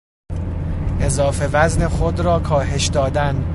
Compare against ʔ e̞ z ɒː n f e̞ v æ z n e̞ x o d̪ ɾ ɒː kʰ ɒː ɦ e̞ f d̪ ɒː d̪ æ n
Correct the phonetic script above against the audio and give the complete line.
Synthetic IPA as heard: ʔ e̞ z ɒː f e̞ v æ z n e̞ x o d̪ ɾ ɒː kʰ ɒː ɦ e̞ ʃ d̪ ɒː d̪ æ n